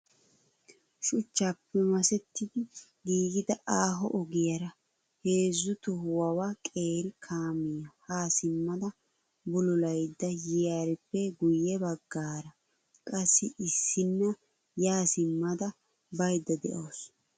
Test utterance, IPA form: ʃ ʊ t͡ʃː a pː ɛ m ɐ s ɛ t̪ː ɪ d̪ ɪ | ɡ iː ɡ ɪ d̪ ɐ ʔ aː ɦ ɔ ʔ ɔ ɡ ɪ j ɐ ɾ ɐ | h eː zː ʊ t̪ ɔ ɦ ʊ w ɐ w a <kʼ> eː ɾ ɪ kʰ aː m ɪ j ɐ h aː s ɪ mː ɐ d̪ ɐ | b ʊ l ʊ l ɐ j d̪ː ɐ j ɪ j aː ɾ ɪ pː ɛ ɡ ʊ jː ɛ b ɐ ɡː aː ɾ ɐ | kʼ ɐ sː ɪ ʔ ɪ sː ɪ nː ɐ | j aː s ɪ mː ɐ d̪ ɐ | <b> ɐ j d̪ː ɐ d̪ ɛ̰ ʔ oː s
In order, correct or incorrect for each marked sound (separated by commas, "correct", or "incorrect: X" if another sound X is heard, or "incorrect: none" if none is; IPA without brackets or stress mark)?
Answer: correct, correct